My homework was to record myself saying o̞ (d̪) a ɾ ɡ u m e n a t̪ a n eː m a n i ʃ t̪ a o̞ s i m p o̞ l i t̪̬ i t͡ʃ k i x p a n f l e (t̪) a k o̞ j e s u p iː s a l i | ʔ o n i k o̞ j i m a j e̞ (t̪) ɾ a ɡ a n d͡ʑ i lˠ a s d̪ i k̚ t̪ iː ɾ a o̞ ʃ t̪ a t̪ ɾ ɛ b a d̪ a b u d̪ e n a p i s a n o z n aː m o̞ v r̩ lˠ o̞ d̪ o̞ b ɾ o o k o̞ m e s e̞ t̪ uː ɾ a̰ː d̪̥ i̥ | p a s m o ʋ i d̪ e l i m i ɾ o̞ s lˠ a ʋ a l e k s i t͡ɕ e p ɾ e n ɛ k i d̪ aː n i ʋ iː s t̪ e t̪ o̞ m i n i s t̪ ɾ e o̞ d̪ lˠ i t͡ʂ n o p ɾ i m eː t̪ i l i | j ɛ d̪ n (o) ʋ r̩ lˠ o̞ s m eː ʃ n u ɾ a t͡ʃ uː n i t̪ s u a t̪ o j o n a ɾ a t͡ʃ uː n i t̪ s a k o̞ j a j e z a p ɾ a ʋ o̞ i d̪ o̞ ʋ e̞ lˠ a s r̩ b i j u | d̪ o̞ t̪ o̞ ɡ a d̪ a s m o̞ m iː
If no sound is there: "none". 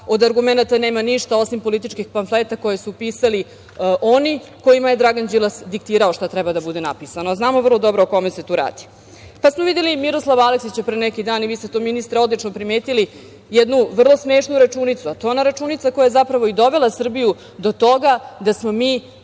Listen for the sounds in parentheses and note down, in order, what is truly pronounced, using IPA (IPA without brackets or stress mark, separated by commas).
d̪, t̪, d̪, u